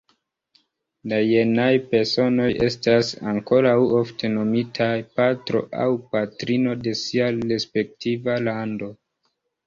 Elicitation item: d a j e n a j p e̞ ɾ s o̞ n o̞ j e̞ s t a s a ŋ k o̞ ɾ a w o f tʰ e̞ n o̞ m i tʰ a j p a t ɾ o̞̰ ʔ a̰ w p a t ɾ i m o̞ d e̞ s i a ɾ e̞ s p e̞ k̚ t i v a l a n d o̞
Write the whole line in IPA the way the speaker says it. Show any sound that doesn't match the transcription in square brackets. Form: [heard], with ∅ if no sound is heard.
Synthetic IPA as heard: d a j e n a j p e̞ ɾ s o̞ n o̞ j e̞ s t a s a ŋ k o̞ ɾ a w o f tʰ e̞ n o̞ m i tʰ a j p a t ɾ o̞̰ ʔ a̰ w p a t ɾ i [n] o̞ d e̞ s i a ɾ e̞ s p e̞ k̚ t i v a l a n d o̞